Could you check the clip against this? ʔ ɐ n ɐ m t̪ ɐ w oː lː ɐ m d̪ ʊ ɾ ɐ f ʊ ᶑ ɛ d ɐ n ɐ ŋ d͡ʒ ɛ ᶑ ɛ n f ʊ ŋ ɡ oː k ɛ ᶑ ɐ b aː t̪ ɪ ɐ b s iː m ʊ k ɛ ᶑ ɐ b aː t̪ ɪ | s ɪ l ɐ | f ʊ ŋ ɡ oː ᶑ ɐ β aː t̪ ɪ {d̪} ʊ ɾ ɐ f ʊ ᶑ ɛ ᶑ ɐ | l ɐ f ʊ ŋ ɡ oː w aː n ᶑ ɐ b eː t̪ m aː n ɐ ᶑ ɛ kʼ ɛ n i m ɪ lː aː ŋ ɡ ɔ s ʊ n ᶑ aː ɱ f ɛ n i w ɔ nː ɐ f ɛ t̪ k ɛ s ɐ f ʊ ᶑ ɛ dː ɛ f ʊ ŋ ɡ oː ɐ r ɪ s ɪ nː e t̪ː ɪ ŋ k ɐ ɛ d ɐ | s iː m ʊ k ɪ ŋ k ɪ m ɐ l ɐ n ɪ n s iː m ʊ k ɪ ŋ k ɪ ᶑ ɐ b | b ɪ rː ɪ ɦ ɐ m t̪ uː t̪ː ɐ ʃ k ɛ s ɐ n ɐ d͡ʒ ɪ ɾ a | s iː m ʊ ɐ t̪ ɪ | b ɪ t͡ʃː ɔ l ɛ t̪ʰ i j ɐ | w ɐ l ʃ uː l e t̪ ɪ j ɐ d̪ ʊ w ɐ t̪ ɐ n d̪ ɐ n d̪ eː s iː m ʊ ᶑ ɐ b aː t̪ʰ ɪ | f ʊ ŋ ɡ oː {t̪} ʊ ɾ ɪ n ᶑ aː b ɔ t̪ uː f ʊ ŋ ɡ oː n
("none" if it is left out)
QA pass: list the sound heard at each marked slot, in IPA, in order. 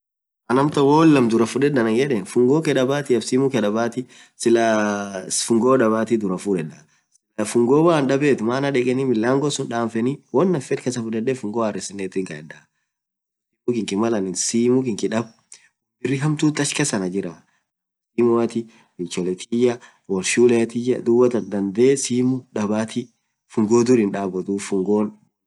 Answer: d̪, d̪

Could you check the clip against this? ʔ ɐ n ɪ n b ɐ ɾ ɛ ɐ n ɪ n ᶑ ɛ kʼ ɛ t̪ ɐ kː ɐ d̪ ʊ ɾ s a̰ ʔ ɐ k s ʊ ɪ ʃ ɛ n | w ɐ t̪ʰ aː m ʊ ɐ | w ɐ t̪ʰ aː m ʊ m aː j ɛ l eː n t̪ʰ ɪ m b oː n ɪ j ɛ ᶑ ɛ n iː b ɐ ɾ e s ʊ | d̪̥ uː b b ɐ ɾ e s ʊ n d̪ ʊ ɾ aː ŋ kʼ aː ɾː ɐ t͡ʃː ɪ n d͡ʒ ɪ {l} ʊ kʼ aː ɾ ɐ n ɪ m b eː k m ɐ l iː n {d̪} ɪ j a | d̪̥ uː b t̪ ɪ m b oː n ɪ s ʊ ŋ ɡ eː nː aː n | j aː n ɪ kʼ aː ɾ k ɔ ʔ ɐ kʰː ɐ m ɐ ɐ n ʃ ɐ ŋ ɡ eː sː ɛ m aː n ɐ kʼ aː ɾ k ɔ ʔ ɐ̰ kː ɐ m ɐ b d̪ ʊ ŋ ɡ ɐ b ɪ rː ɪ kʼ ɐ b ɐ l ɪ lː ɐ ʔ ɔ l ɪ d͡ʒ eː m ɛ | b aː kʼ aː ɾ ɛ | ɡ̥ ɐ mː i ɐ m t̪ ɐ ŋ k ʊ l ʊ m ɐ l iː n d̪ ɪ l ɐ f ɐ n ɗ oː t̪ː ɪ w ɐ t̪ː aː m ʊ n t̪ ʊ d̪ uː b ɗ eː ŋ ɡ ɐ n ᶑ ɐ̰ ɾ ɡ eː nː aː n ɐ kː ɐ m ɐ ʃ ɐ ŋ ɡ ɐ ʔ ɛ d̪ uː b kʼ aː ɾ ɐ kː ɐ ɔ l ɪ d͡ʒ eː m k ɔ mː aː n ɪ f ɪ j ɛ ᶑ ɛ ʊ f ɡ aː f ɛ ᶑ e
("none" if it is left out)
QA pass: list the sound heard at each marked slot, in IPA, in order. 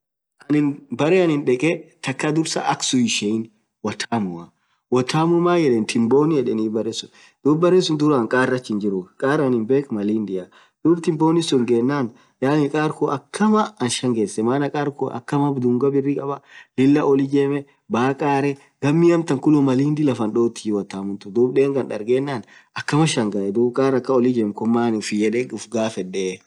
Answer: ɾ, d̪

